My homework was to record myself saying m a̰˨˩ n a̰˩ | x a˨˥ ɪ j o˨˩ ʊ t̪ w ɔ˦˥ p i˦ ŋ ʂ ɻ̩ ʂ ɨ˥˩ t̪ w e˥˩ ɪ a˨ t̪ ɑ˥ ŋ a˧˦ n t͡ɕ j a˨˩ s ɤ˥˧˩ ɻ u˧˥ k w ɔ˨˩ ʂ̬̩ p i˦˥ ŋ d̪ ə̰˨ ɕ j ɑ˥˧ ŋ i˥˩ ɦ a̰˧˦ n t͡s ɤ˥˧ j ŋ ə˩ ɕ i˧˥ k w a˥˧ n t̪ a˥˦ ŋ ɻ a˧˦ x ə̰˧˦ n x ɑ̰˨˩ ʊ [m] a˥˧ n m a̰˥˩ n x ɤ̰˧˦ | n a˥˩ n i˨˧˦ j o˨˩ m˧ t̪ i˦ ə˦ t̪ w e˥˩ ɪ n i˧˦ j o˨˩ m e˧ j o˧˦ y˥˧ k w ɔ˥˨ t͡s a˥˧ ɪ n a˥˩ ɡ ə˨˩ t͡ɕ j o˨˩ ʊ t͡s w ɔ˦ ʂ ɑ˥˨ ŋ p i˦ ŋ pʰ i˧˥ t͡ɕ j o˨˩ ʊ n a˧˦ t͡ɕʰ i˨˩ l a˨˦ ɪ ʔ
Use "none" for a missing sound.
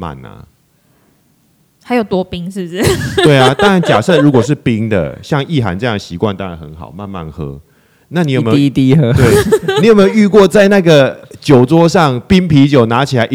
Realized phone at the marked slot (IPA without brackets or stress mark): m